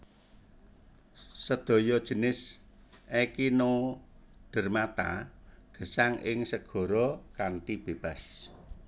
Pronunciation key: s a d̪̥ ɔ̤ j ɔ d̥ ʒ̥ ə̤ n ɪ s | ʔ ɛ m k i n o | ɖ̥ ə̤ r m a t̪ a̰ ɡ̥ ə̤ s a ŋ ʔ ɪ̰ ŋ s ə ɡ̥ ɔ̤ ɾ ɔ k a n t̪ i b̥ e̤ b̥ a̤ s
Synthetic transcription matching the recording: s ə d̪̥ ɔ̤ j ɔ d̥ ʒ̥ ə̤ n ɪ s | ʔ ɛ k i n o | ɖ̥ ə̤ r m a t̪ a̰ ɡ̥ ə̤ s a ŋ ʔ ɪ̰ ŋ s ə ɡ̥ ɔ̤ ɾ ɔ k a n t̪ i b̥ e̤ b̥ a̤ s